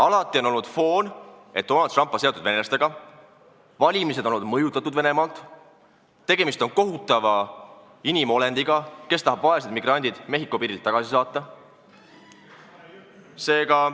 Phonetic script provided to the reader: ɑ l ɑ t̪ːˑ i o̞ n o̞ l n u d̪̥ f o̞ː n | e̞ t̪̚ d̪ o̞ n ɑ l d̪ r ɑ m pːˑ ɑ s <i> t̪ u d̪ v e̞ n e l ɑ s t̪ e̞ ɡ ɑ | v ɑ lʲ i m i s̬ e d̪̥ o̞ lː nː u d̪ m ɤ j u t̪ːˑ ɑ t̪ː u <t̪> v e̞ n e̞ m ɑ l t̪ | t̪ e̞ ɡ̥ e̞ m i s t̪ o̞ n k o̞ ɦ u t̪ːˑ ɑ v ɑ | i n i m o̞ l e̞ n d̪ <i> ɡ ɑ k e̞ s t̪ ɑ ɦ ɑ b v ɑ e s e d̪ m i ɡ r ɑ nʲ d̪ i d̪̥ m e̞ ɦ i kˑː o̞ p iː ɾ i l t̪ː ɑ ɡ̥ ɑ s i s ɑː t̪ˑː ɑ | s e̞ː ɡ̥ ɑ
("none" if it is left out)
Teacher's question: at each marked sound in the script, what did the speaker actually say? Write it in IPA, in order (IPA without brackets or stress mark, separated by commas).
e, d̪, i